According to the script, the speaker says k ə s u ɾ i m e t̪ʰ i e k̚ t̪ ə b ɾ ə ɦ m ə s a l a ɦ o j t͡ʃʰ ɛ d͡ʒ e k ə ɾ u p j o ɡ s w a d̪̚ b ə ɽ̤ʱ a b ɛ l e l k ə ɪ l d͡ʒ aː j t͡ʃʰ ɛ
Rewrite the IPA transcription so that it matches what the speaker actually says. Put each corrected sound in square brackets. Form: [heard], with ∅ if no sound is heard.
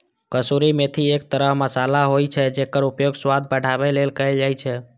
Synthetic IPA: k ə s u ɾ i m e t̪ʰ i e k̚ t̪ ə [∅] ɾ ə ɦ m ə s a l a ɦ o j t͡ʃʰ ɛ d͡ʒ e k ə ɾ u p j o ɡ s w a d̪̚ b ə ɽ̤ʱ a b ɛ l e l k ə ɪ l d͡ʒ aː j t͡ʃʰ ɛ